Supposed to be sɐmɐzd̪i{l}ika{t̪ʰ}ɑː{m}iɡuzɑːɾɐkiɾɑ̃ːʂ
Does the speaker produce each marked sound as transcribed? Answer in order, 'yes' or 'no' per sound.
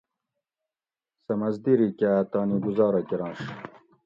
no, no, no

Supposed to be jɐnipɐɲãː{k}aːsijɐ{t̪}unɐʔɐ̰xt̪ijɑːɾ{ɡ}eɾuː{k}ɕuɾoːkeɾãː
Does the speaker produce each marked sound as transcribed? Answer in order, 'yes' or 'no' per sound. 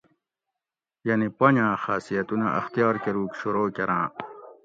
no, yes, no, yes

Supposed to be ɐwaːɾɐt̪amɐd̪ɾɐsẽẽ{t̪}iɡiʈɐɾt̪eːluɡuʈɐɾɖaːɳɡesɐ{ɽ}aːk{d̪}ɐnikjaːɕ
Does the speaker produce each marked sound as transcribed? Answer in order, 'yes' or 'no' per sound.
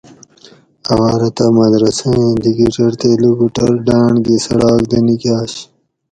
no, yes, yes

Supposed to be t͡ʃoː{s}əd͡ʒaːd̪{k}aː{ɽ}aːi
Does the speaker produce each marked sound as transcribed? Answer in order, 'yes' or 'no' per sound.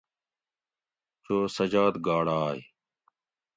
yes, no, yes

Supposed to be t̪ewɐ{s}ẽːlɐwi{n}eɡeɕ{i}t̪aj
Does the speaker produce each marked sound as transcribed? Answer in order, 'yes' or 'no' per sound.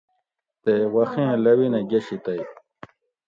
no, yes, yes

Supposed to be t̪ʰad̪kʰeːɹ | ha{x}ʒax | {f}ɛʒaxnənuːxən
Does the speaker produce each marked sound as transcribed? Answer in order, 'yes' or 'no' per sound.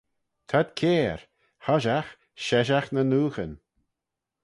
no, no

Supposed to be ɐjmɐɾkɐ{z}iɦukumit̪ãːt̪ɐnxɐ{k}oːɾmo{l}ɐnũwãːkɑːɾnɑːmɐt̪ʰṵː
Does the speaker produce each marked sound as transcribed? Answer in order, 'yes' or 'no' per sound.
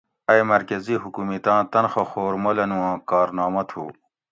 yes, no, yes

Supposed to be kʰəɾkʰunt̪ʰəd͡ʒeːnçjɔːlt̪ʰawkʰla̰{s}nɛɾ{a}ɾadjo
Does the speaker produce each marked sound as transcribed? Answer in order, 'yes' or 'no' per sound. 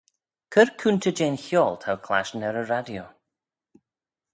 no, no

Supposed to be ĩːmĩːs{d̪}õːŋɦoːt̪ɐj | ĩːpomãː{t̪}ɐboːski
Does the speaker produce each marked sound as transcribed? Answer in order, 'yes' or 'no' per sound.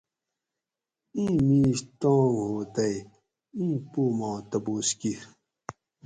no, yes

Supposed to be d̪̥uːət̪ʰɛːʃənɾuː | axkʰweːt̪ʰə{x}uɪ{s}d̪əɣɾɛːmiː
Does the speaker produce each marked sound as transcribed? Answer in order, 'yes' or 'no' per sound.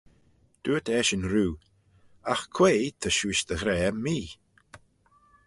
no, no

